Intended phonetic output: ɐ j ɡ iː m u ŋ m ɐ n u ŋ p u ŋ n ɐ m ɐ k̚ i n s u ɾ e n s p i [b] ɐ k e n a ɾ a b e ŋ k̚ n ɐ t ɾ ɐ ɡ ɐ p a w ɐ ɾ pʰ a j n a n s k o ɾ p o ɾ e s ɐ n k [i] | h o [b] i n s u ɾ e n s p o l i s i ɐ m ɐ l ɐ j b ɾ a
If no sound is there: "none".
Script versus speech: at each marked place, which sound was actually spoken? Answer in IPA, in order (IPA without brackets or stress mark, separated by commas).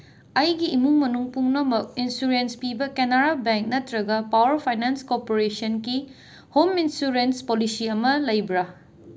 b, i, m